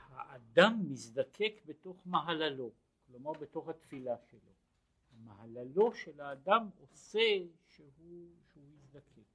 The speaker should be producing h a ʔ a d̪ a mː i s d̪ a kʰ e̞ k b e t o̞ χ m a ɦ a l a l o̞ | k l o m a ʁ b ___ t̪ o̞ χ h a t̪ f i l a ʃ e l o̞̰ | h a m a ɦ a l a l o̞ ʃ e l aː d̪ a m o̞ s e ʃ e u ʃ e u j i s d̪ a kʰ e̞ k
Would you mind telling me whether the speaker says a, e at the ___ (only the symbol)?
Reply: e